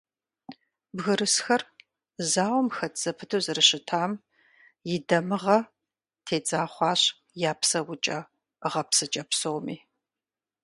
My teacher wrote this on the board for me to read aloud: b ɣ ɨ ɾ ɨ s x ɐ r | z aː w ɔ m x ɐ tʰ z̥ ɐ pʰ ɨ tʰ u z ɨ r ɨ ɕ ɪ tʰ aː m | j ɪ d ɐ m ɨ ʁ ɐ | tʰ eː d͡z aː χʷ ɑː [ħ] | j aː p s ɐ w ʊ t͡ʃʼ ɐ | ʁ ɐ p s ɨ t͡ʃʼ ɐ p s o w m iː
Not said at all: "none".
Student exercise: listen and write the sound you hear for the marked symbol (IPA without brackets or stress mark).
ɕ